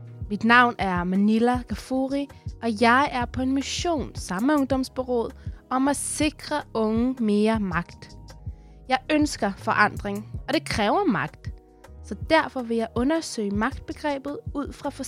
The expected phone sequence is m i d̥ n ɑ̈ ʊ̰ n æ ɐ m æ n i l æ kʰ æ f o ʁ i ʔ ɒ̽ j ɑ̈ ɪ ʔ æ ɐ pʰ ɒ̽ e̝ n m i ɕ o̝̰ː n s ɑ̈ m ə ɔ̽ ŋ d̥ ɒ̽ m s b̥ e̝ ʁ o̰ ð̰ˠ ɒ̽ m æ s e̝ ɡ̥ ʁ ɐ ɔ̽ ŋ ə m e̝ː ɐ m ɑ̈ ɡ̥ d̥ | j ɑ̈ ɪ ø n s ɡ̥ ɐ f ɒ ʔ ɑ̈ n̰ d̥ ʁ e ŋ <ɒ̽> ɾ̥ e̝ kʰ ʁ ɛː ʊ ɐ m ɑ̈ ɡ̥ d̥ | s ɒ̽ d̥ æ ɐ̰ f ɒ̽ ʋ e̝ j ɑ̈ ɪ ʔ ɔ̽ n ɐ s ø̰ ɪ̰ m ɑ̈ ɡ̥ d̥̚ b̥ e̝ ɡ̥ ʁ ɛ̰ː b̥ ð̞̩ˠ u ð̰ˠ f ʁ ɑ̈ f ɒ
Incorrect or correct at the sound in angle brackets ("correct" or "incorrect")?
correct